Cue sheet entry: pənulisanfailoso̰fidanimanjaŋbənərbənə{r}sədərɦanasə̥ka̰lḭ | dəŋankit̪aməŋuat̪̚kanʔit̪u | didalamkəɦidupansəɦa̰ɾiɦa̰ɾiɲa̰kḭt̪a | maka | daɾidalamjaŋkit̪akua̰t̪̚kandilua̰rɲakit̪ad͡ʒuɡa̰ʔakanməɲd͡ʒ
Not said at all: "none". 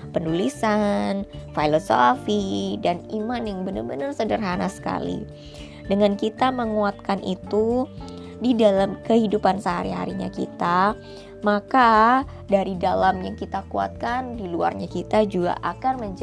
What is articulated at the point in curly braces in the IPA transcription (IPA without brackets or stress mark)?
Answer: r